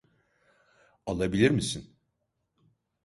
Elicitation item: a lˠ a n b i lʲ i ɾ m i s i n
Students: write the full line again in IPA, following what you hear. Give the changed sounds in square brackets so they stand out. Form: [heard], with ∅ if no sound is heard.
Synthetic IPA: a lˠ a [∅] b i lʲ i ɾ m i s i n